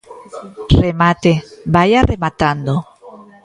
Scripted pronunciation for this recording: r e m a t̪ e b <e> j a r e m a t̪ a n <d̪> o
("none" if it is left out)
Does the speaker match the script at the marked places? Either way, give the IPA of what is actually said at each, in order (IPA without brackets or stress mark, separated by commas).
a, d̪